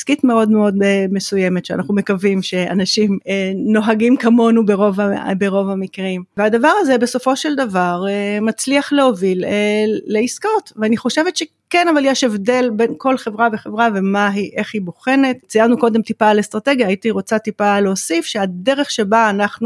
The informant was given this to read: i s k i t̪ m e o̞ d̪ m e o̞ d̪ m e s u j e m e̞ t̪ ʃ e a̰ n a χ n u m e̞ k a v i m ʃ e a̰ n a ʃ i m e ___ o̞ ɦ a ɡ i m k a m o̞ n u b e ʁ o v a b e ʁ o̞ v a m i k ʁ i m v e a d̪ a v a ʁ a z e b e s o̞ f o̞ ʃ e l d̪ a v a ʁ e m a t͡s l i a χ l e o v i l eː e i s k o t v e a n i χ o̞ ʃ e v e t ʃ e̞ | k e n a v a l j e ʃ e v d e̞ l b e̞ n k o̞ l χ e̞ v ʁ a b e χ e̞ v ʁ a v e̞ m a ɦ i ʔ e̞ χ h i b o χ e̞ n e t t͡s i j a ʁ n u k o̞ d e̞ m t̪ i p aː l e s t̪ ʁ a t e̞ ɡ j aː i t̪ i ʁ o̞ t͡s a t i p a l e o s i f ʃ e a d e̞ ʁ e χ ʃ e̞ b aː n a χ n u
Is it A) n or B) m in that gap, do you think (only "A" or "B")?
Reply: A